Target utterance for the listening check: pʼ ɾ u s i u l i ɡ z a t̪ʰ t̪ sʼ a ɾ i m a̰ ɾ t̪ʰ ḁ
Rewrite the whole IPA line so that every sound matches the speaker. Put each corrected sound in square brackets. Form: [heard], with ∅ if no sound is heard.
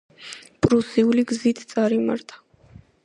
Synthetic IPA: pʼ ɾ u s i u l i ɡ z [i] t̪ʰ t̪ sʼ a ɾ i m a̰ ɾ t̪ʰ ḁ